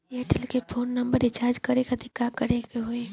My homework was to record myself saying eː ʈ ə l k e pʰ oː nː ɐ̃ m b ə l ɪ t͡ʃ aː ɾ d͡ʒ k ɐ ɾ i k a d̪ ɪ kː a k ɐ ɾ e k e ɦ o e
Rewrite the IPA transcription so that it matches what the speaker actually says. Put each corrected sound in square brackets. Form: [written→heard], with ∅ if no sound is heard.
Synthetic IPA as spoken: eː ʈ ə l k e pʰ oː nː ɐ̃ m b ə [l→ɾ] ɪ t͡ʃ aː ɾ d͡ʒ k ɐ ɾ [i→e] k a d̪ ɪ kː a k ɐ ɾ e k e ɦ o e